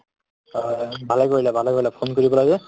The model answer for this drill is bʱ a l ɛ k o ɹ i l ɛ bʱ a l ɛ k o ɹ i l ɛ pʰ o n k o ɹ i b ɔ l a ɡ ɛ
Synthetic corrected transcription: bʱ a l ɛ k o ɹ i l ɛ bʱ a l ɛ k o ɹ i l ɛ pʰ o n k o ɹ i b ɔ l a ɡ ɛ